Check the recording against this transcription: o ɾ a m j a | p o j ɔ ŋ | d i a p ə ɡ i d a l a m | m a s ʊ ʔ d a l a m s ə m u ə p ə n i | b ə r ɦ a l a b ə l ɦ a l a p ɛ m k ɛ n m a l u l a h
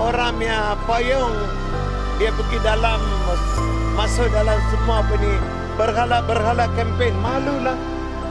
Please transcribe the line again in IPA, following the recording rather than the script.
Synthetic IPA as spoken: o ɾ a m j a | p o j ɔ ŋ | d i a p ə ɡ i d a l a m | m a s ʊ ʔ d a l a m s ə m u a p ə n i | b ə r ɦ a l a b ə r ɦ a l a k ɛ m p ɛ n m a l u l a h